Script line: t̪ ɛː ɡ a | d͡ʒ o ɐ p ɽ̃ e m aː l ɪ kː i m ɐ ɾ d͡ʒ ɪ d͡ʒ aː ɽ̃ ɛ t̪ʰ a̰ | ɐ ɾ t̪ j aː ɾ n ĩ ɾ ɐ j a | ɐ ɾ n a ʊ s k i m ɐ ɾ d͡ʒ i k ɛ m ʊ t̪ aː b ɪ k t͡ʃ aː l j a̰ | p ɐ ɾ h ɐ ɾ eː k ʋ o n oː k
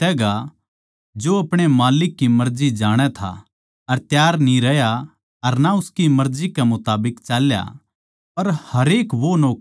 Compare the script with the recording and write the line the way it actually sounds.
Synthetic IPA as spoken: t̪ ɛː ɡ a | d͡ʒ o ɐ p ɽ̃ e m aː l ɪ kː i m ɐ ɾ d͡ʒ i d͡ʒ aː ɽ̃ ɛ t̪ʰ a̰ | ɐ ɾ t̪ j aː ɾ n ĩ ɾ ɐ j a | ɐ ɾ n a ʊ s k i m ɐ ɾ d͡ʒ i k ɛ m ʊ t̪ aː b ɪ k t͡ʃ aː l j a̰ | p ɐ ɾ h ɐ ɾ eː k ʋ o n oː k

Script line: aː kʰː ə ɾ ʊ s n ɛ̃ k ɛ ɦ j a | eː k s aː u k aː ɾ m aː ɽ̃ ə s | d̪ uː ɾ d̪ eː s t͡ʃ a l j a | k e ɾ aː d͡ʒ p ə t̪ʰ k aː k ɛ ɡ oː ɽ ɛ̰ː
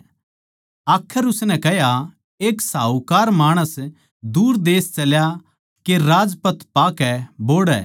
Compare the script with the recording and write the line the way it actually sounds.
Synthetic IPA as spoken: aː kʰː ə ɾ ʊ s n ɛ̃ k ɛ ɦ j a | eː k s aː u k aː ɾ m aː ɽ̃ ə s | d̪ uː ɾ d̪ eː s t͡ʃ ɐ l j a | k e ɾ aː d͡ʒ p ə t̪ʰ p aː k ɛ b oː ɽ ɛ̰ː

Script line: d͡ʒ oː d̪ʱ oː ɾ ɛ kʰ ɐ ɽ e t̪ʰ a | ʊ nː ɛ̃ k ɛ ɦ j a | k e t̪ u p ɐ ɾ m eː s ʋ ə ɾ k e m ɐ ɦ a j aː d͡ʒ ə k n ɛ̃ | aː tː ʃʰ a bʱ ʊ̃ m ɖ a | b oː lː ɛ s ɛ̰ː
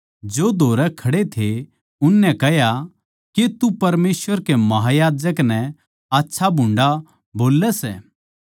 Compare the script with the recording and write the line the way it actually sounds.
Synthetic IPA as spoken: d͡ʒ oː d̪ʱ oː ɾ ɛ kʰ ɐ ɽ e t̪ʰ e | ʊ nː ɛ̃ k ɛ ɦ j a | k e t̪ u p ɐ ɾ m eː s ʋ ə ɾ k e m ɐ ɦ a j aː d͡ʒ ə k n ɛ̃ | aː tː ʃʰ a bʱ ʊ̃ ɳ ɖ a | b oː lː ɛ s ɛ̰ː

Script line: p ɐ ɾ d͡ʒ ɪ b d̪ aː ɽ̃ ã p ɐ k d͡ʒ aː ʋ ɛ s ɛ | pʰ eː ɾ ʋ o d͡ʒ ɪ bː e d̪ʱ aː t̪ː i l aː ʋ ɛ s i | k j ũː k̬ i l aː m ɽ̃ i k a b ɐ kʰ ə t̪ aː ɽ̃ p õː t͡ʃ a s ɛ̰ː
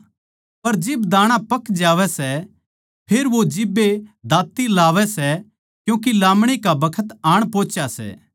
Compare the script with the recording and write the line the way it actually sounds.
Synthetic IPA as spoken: p ɐ ɾ d͡ʒ ɪ b d̪ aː ɽ̃ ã p ɐ k d͡ʒ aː ʋ ɛ s ɛ | pʰ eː ɾ ʋ o d͡ʒ ɪ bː e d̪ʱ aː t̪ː i l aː ʋ ɛ s ɛ | k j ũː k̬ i l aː m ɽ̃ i k a b ɐ kʰ ə t̪ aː ɽ̃ p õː t͡ʃ a s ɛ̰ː

